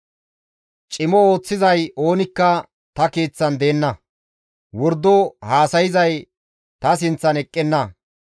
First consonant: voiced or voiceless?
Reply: voiceless